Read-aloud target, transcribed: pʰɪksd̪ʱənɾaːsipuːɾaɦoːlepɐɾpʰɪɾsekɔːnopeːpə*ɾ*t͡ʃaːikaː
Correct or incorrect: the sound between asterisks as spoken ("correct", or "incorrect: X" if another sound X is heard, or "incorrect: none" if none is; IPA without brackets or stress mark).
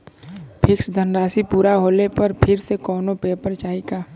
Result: correct